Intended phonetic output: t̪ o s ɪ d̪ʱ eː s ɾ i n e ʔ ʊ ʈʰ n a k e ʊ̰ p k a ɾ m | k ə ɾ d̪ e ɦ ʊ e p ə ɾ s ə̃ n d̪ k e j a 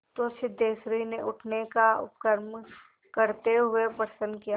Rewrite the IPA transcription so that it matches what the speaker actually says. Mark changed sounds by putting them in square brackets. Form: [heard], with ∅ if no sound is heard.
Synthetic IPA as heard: t̪ o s ɪ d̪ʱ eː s ɾ i n e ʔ ʊ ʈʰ n [e] k [a] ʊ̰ p k [ə] ɾ m | k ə ɾ [t̪] e ɦ ʊ e p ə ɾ s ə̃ n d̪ k [i] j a